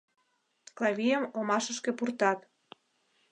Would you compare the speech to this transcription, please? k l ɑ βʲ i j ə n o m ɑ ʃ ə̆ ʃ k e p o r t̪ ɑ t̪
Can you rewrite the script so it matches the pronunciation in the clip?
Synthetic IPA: k l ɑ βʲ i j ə m o m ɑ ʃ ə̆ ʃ k e p u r t̪ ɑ t̪

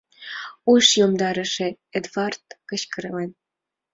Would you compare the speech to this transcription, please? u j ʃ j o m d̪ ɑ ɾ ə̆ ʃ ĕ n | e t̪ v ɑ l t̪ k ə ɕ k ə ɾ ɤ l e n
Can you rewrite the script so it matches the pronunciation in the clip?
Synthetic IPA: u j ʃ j o m d̪ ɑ ɾ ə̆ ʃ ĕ | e d̪ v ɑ r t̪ k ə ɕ k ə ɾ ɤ l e n

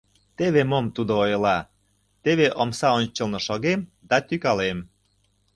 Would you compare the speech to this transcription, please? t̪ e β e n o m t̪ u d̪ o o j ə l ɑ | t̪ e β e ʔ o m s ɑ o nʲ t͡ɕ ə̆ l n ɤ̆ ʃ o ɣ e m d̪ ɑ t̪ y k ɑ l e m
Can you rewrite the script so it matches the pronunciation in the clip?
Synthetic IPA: t̪ e β e m o m t̪ u d̪ o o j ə l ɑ | t̪ e β e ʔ o m s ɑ o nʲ t͡ɕ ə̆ l n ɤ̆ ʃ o ɣ e m d̪ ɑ t̪ y k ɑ l e m

